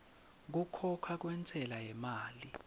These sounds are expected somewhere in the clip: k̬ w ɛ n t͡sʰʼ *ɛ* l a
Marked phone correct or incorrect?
correct